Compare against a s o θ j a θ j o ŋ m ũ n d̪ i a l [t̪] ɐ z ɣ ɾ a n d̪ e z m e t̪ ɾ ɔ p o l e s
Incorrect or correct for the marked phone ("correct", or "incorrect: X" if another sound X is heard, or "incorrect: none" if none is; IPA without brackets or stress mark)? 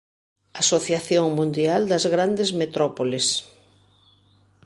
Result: incorrect: d̪